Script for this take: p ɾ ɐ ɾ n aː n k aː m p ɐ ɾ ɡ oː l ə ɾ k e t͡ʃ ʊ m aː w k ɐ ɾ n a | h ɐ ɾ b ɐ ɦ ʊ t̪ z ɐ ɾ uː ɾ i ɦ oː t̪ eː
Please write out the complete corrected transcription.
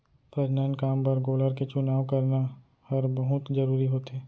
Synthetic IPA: p ɾ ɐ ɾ n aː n k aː m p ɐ ɾ ɡ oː l ə ɾ k e t͡ʃ ʊ n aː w k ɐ ɾ n a | h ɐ ɾ b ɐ ɦ ʊ t̪ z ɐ ɾ uː ɾ i ɦ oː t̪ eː